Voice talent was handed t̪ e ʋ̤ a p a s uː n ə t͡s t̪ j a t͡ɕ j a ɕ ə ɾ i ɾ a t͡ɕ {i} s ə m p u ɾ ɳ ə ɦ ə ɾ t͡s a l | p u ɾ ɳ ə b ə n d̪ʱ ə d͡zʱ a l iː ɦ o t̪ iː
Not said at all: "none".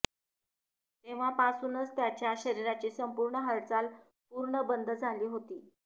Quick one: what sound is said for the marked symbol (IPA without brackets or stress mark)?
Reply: iː